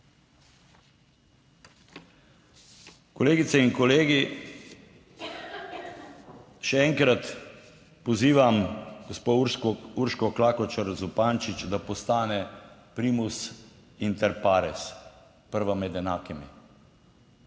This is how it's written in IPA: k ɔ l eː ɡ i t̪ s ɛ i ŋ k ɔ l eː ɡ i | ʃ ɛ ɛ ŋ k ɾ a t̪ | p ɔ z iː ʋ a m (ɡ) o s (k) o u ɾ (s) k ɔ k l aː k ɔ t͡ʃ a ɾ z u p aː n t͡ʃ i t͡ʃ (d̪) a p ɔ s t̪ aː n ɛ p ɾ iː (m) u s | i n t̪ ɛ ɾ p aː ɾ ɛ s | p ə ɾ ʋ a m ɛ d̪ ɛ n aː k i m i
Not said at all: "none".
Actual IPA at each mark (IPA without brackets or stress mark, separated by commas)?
ɡ, p, ʃ, d̪, m